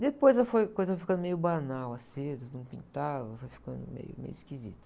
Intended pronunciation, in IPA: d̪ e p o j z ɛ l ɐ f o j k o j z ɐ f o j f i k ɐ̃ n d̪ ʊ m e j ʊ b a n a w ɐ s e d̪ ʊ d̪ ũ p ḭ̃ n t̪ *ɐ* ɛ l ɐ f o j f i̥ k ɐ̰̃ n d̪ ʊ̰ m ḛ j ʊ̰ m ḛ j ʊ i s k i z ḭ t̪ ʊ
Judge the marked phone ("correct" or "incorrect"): incorrect